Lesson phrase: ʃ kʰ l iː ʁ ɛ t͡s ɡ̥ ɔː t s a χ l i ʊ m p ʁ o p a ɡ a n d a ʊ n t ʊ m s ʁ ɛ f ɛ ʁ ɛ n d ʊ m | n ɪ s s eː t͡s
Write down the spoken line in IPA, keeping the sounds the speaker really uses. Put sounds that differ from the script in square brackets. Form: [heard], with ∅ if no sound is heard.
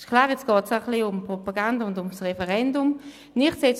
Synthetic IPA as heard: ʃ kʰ l [aː] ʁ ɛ t͡s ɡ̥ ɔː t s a χ l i ʊ m p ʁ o p a ɡ a n d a ʊ n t ʊ m s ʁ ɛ f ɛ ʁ ɛ n d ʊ m | n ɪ [χ] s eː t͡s